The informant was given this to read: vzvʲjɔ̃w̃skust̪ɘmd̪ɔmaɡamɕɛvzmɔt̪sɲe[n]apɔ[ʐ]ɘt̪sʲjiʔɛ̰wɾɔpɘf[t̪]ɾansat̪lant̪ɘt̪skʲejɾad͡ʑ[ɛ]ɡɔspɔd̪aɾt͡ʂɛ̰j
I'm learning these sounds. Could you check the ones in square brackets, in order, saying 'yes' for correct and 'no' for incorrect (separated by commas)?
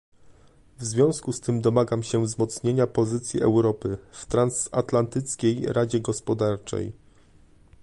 no, no, yes, yes